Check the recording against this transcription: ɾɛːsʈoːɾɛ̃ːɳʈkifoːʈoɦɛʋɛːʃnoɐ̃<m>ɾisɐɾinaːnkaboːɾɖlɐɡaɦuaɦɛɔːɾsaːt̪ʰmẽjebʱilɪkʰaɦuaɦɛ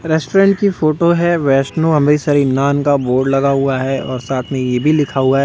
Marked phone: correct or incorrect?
correct